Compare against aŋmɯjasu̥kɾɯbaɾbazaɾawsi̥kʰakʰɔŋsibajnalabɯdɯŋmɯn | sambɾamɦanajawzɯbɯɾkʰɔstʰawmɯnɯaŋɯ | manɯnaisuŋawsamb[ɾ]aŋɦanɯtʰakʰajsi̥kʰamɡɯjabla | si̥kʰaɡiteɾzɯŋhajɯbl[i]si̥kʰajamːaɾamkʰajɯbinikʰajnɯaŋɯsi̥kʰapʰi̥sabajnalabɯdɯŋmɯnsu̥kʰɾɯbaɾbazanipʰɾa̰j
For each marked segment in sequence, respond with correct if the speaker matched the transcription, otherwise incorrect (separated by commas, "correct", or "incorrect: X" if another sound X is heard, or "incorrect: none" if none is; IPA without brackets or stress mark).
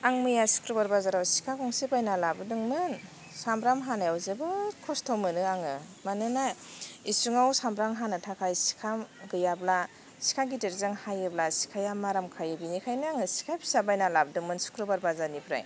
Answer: correct, incorrect: a